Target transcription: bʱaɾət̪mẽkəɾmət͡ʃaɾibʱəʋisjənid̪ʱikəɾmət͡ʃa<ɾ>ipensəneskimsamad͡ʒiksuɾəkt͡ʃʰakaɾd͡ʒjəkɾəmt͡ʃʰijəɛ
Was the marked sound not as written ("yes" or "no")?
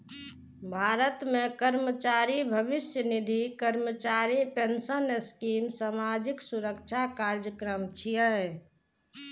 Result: no